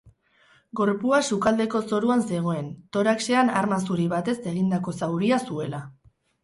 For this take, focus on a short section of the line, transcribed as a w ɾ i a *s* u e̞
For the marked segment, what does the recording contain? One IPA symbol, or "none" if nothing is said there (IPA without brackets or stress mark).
s